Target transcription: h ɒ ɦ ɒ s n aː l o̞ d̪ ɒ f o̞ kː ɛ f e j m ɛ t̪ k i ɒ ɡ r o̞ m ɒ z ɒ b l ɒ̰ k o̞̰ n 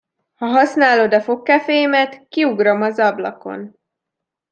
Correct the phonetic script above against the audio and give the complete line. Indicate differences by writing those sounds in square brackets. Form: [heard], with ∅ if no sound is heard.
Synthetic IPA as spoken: h ɒ ɦ ɒ s n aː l o̞ d̪ ɒ f o̞ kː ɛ f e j m ɛ t̪ k i [u] ɡ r o̞ m ɒ z ɒ b l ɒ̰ k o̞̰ n

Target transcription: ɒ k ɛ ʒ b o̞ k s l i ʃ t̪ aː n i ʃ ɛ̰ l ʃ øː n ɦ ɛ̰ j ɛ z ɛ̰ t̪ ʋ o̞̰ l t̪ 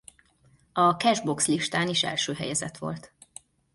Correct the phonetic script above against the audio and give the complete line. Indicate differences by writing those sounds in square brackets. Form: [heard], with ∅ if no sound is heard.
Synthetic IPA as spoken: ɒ k ɛ ʒ b o̞ k s l i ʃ t̪ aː n i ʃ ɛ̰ l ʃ øː [∅] ɦ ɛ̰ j ɛ z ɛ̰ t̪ ʋ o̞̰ l t̪

